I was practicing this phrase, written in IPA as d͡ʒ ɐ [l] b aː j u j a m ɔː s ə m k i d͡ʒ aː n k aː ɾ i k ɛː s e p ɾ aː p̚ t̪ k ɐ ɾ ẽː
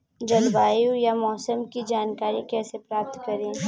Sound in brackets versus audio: correct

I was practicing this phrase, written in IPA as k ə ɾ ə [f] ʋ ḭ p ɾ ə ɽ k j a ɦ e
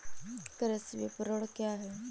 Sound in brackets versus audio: incorrect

